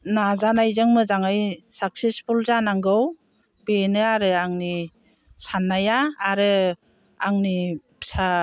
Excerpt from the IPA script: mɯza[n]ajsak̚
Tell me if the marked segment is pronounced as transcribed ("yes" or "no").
no